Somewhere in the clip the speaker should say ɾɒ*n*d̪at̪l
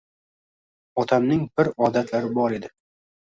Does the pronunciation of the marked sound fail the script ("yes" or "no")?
yes